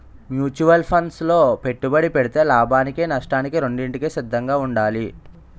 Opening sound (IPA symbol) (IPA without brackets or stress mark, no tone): m